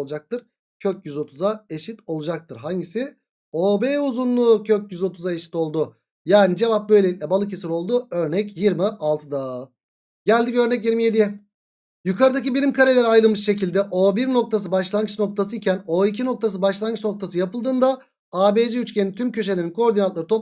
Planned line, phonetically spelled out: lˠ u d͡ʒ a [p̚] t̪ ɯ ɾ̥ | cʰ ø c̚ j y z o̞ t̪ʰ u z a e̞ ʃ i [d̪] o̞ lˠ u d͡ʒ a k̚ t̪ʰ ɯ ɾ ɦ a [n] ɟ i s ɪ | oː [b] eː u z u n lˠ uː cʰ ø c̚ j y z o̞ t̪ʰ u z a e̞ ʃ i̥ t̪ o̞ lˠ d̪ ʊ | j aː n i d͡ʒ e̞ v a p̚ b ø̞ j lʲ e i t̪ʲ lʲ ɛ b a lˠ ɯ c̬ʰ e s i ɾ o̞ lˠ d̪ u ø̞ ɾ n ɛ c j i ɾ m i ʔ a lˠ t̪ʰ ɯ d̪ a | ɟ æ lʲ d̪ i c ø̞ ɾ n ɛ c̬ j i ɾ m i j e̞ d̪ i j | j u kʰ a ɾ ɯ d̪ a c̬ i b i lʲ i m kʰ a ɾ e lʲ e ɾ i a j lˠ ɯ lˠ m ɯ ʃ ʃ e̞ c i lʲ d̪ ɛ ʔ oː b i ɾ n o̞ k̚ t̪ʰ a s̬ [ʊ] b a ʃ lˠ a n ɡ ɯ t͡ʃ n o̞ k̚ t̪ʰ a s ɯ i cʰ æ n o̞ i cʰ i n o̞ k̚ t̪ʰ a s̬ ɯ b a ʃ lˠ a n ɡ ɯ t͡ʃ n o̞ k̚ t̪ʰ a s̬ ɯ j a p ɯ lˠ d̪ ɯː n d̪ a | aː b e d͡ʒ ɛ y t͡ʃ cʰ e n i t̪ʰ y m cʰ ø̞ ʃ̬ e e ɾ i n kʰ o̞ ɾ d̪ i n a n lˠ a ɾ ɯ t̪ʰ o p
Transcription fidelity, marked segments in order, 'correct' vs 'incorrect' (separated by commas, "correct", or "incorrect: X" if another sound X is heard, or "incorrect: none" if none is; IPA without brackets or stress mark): incorrect: k̚, incorrect: t̪, incorrect: ɲ, correct, incorrect: ɯ